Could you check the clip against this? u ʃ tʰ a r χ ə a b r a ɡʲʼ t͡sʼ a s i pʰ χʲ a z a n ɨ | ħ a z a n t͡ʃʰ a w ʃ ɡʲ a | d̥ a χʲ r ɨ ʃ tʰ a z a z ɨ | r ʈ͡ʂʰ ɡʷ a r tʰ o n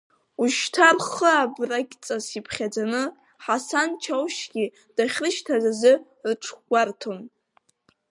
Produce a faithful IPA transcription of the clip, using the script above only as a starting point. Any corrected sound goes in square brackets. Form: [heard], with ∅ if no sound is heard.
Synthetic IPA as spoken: u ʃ tʰ a r χ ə a b r a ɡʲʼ t͡sʼ a s i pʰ χʲ a [d͡z] a n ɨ | ħ a [s] a n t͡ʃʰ a w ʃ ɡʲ [i] | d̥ a χʲ r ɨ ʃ tʰ a z a z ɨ | r ʈ͡ʂʰ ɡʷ a r tʰ o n